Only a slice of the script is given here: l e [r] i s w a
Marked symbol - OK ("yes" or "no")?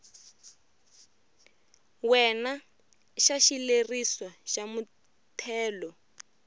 yes